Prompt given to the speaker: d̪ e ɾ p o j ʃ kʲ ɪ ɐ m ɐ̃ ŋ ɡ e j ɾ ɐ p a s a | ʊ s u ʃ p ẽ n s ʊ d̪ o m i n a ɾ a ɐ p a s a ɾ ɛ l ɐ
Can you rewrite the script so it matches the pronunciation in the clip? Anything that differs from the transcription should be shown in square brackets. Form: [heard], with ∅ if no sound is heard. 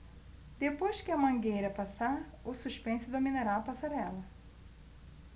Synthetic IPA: d̪ e [∅] p o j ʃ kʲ ɪ ɐ m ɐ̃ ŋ ɡ e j ɾ ɐ p a s a | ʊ s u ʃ p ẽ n s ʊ d̪ o m i n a ɾ a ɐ p a s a ɾ ɛ l ɐ